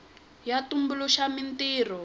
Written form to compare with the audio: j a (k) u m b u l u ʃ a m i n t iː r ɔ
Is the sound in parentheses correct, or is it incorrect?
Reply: incorrect